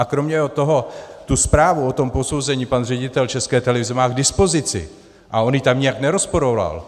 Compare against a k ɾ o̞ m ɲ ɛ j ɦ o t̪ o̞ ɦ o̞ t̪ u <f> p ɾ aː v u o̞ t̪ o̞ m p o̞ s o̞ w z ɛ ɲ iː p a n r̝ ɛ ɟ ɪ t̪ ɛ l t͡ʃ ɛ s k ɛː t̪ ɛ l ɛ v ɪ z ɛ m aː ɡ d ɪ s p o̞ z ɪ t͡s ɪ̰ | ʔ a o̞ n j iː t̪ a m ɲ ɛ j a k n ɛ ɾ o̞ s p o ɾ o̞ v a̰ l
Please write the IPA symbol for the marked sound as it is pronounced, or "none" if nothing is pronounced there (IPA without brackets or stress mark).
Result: s